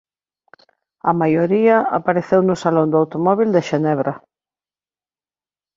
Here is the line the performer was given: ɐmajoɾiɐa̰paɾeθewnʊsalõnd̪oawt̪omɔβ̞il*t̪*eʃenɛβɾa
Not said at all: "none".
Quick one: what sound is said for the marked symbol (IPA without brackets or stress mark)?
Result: d̪